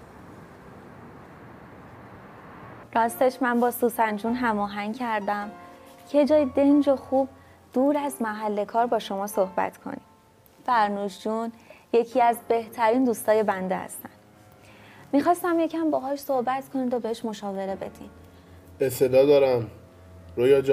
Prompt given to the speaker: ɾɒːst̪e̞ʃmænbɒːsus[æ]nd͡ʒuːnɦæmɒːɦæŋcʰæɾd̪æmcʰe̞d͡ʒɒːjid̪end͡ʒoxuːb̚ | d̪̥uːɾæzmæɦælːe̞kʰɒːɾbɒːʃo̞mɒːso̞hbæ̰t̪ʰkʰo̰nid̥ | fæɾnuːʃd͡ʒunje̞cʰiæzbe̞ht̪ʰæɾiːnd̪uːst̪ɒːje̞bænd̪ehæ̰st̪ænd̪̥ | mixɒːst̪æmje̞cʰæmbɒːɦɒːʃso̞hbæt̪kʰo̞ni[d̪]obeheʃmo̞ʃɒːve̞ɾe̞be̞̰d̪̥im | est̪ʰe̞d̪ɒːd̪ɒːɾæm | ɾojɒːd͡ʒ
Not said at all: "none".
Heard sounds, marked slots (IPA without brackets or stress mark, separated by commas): æ, d̪